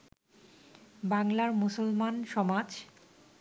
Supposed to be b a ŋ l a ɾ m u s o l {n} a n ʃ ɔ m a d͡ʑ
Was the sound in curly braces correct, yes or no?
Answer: no